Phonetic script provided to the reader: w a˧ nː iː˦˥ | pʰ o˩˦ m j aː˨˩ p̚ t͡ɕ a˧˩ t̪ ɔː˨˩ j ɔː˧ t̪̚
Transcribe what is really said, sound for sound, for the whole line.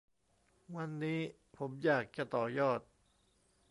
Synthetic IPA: w a˧ nː iː˦˥ | pʰ o˩˦ m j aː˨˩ k̚ t͡ɕ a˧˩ t̪ ɔː˨˩ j ɔː˥˩ t̪̚